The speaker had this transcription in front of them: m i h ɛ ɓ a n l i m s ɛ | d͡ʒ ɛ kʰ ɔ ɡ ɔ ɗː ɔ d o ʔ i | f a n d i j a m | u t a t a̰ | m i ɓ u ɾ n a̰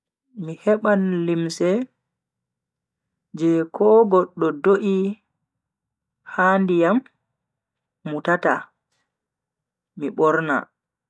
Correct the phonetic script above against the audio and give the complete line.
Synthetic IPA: m i h ɛ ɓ a n l i m s ɛ | d͡ʒ ɛ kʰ ɔ ɡ ɔ ɗː ɔ d o ʔ i | h a n d i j a m | u t a t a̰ | m i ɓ ɔ ɾ n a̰

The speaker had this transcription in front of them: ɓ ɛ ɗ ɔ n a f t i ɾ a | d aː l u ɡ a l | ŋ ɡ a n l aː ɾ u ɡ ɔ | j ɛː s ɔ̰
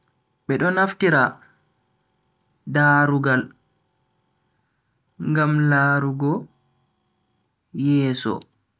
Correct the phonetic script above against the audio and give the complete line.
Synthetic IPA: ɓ ɛ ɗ ɔ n a f t i ɾ a | d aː ɾ u ɡ a l | ŋ ɡ a m l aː ɾ u ɡ ɔ | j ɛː s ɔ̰

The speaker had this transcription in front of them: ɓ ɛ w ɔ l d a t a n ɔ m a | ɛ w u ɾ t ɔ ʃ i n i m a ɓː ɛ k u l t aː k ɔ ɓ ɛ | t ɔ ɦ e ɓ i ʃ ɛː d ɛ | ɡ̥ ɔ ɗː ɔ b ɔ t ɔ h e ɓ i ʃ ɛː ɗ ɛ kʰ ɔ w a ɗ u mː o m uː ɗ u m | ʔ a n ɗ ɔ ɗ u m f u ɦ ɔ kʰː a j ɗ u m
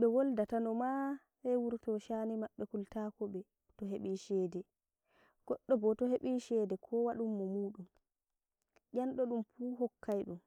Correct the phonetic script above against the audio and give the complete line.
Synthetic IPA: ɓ ɛ w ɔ l d a t a n ɔ m a | ɛ w u ɾ t ɔ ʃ a n i m a ɓː ɛ k u l t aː k ɔ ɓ ɛ | t ɔ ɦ e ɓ i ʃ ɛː d ɛ | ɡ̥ ɔ ɗː ɔ b ɔ t ɔ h e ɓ i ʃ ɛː d ɛ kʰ ɔ w a ɗ u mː ɔ m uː ɗ u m | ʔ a n ɗ ɔ ɗ u m f u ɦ ɔ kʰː a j ɗ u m

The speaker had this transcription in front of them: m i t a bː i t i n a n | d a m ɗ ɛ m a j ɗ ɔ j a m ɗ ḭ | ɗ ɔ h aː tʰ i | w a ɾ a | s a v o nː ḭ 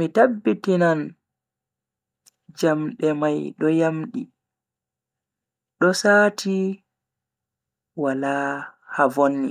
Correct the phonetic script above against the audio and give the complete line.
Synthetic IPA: m i t a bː i t i n a n | d͡ʒ a m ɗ ɛ m a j ɗ ɔ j a m ɗ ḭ | ɗ ɔ s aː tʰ i | w a l a | h a v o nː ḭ

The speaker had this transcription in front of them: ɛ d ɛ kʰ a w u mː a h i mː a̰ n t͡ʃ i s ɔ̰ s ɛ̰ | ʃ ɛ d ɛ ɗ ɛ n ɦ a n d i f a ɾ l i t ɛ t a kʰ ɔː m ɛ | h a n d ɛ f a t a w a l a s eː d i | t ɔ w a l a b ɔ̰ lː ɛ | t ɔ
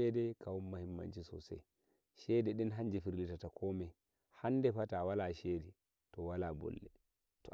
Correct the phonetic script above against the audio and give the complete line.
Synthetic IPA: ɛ d ɛ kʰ a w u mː a h i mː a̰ n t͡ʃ i s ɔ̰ s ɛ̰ | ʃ ɛ d ɛ ɗ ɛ n ɦ a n d͡ʒ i f i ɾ l i t a t a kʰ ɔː m ɛ | h a n d ɛ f a t a w a l a ʃ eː d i | t ɔ w a l a b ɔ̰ lː ɛ | t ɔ

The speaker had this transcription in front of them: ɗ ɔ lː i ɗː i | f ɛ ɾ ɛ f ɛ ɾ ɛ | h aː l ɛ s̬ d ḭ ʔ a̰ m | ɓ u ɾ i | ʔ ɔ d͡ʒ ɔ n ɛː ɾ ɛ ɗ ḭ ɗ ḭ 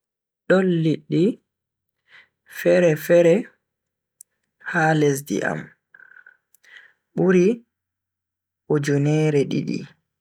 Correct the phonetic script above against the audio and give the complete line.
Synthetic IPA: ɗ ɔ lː i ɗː i | f ɛ ɾ ɛ f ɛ ɾ ɛ | h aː l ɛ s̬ d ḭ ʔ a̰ m | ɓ u ɾ i | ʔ ɔ d͡ʒ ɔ n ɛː ɾ ɛ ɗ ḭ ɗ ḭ

